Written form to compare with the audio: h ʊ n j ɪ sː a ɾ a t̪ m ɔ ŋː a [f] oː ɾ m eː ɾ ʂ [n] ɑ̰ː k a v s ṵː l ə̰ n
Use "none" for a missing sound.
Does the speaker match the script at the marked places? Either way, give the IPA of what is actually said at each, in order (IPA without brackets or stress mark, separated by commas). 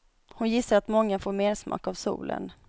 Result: f, m